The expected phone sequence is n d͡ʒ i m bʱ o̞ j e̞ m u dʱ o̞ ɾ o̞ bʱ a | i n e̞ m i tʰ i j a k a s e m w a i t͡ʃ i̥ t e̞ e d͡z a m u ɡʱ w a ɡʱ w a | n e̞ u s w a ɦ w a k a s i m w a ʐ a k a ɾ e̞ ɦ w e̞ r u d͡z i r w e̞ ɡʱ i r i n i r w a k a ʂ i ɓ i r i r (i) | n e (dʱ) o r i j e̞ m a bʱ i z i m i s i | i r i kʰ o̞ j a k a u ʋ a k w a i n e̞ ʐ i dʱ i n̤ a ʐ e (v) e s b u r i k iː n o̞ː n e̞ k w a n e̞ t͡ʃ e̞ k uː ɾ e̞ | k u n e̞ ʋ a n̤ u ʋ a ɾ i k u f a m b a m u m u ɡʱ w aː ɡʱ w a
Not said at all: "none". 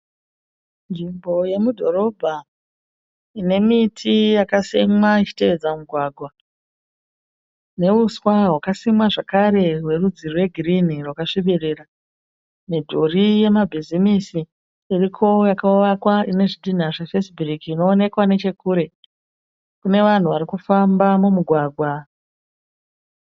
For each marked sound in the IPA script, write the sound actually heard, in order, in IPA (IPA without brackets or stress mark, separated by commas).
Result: a, dʱ, f